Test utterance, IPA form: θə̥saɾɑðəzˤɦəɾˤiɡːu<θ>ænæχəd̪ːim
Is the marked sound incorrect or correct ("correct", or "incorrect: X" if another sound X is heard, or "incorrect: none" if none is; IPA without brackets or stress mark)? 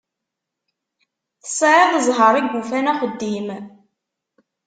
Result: incorrect: f